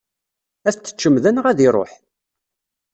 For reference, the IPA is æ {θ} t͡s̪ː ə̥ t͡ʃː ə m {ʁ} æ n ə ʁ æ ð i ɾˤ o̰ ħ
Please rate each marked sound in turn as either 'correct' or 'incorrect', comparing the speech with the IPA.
correct, incorrect

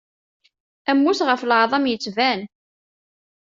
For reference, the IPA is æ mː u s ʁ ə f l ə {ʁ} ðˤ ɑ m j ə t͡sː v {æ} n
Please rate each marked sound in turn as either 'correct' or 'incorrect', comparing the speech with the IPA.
incorrect, correct

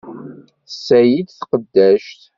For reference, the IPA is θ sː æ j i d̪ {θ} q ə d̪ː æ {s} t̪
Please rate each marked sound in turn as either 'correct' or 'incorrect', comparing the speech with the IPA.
correct, incorrect

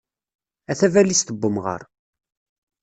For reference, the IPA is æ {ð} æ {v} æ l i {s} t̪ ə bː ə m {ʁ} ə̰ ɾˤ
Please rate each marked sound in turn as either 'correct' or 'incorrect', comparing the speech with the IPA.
incorrect, correct, correct, correct

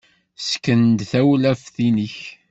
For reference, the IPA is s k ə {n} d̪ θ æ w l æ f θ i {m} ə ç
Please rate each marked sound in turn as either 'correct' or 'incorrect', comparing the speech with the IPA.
correct, incorrect

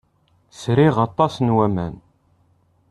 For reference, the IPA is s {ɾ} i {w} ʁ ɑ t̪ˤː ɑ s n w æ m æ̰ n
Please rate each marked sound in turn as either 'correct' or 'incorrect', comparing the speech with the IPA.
correct, incorrect

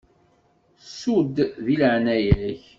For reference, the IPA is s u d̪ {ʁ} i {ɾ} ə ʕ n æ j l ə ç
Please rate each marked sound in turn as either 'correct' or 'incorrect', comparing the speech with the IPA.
incorrect, incorrect

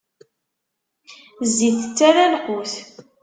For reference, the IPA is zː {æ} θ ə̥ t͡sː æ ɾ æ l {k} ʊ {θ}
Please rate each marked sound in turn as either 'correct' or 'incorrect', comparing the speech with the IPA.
incorrect, incorrect, correct

